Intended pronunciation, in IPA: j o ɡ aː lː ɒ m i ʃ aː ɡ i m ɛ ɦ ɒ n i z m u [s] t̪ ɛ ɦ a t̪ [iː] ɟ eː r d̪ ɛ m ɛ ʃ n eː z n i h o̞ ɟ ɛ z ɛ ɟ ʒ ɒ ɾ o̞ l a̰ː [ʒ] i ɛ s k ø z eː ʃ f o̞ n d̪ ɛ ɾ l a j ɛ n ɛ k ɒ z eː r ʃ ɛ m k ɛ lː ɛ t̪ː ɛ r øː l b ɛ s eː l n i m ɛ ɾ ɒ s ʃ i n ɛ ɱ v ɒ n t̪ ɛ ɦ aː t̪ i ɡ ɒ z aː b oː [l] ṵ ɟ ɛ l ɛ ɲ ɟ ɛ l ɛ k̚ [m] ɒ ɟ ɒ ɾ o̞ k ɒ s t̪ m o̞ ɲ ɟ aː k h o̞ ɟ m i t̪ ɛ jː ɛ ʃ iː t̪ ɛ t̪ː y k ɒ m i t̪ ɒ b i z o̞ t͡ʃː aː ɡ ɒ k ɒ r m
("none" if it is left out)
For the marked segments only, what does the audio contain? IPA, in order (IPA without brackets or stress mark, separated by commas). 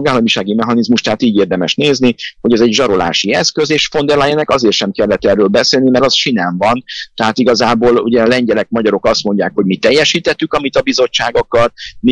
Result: ʃ, iː, ʃ, l, m